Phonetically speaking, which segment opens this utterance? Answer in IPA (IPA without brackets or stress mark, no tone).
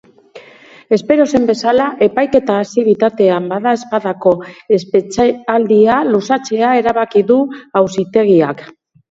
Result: e̞